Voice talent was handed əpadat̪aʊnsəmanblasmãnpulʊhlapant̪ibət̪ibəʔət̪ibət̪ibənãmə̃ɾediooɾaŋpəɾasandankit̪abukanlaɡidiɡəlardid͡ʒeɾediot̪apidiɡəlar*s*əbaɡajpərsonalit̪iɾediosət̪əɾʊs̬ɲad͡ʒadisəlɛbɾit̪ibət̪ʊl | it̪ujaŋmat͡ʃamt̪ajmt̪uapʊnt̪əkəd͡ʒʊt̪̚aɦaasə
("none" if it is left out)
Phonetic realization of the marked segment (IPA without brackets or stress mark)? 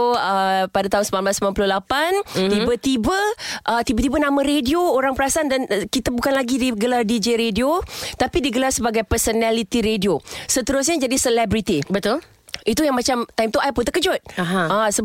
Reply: s